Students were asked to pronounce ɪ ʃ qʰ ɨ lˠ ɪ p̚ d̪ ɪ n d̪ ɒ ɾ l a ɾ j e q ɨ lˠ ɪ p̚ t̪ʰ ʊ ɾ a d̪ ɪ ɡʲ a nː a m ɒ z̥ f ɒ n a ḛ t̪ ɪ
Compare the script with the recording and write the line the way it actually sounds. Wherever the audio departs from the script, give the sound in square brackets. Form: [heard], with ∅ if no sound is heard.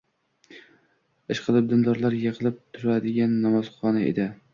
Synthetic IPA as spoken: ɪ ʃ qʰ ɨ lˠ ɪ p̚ d̪ ɪ n d̪ ɒ ɾ l a ɾ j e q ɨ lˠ ɪ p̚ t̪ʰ ʊ ɾ a d̪ ɪ ɡʲ a nː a m ɒ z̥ [χ] ɒ n a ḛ [d̪] ɪ